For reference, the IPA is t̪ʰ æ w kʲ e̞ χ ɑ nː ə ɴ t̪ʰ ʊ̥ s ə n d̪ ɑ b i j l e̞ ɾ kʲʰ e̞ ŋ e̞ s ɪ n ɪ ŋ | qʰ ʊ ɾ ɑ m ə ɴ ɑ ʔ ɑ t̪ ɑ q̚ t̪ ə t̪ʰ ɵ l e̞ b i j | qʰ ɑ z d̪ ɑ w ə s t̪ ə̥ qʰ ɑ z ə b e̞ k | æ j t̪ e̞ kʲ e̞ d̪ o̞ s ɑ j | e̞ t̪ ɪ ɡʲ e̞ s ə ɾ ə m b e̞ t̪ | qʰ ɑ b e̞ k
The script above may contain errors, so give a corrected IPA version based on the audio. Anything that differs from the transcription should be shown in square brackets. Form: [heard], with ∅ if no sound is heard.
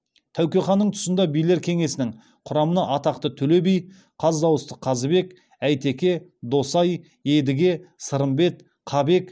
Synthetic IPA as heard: t̪ʰ æ w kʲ e̞ χ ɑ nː ə ɴ t̪ʰ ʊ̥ s ə n d̪ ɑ b i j l e̞ ɾ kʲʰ e̞ ŋ e̞ s ɪ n ɪ ŋ | qʰ ʊ ɾ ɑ m ə [n] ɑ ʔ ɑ t̪ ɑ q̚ t̪ ə t̪ʰ ɵ l e̞ b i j | qʰ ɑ z d̪ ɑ w ə s t̪ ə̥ qʰ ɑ z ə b e̞ k | æ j t̪ e̞ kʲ e̞ d̪ o̞ s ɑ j | e̞ [d̪] ɪ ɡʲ e̞ s ə ɾ ə m b e̞ t̪ | qʰ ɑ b e̞ k

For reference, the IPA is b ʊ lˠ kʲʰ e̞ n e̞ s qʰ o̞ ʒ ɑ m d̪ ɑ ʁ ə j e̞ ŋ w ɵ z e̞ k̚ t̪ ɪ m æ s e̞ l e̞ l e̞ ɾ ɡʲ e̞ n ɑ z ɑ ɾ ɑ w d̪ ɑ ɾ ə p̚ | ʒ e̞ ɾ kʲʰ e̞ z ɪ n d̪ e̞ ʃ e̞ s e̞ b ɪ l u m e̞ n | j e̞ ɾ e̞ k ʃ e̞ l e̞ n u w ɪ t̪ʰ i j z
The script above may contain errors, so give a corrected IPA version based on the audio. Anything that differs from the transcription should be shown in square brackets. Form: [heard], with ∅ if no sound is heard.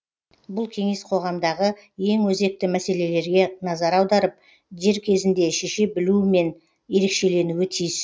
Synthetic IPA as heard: b ʊ lˠ kʲʰ e̞ [ŋ] e̞ s qʰ o̞ [ʁ] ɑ m d̪ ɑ ʁ ə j e̞ ŋ w ɵ z e̞ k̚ t̪ ɪ m æ s e̞ l e̞ l e̞ ɾ ɡʲ e̞ n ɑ z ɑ ɾ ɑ w d̪ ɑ ɾ ə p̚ | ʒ e̞ ɾ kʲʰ e̞ z ɪ n d̪ e̞ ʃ e̞ [ʃ] e̞ b ɪ l u m e̞ n | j e̞ ɾ e̞ k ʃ e̞ l e̞ n u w ɪ t̪ʰ i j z

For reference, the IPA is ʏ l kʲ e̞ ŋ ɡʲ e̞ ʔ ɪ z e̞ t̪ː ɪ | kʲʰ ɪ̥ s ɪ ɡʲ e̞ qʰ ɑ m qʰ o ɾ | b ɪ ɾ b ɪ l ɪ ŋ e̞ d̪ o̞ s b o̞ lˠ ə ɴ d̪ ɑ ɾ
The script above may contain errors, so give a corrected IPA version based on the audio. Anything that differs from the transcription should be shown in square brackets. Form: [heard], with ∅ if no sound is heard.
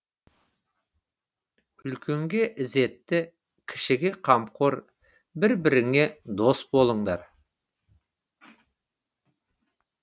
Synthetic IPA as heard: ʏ l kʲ e̞ ŋ ɡʲ e̞ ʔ ɪ z e̞ t̪ː ɪ | kʲʰ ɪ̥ [ʃ] ɪ ɡʲ e̞ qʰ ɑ m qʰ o ɾ | b ɪ ɾ b ɪ [ɾ] ɪ ŋ e̞ d̪ o̞ s b o̞ lˠ ə ɴ d̪ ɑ ɾ

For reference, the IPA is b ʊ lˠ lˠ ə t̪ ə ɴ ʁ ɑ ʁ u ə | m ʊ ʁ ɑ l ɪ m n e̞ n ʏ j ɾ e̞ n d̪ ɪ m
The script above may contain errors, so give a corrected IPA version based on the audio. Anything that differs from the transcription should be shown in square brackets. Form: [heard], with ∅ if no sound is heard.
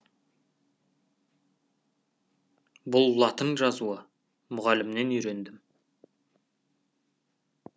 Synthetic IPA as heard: b ʊ lˠ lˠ [ɑ] t̪ ə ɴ [ʒ] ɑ [z] u ə | m ʊ ʁ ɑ l ɪ m n e̞ n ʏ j ɾ e̞ n d̪ ɪ m

